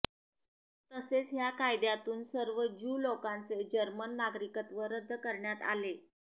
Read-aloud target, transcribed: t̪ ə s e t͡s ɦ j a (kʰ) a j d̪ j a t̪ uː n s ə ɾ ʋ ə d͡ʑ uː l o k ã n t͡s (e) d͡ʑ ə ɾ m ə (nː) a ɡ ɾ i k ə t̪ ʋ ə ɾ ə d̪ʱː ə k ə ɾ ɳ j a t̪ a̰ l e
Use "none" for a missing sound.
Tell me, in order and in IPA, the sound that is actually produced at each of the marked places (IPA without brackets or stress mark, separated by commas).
k, e, nː